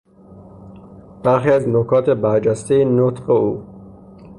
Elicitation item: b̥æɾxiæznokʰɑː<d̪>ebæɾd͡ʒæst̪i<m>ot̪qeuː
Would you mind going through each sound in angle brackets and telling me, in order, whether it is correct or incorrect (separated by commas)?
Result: incorrect, incorrect